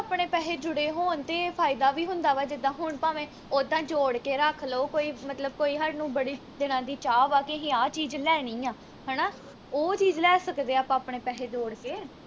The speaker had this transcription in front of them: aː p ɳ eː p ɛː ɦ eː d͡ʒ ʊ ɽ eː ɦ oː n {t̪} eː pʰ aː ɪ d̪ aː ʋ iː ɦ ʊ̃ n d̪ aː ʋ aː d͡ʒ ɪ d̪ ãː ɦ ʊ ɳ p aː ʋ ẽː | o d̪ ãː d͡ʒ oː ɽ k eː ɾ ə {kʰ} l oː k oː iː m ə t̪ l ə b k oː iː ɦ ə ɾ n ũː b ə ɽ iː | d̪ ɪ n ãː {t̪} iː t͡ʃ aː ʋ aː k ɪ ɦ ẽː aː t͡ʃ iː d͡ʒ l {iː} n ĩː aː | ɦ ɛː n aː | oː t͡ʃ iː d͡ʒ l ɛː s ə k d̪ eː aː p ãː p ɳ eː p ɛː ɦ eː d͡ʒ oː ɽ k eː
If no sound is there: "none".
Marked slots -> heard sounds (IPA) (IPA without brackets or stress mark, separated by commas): t̪, kʰ, d̪, ɛː